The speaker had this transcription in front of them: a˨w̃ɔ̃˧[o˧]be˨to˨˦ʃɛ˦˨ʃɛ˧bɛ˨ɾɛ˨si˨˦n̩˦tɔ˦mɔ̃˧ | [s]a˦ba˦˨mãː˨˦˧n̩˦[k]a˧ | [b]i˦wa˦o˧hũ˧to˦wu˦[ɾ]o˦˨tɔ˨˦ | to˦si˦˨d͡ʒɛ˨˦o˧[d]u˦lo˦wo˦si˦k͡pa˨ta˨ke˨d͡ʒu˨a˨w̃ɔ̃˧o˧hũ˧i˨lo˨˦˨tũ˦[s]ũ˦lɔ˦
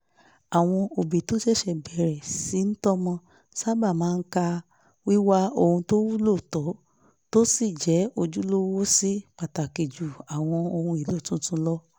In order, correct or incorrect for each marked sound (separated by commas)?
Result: correct, correct, correct, incorrect, incorrect, incorrect, incorrect